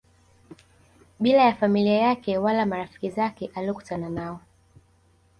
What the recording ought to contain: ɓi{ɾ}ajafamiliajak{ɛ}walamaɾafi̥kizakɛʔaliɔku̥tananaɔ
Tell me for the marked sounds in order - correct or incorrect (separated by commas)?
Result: incorrect, correct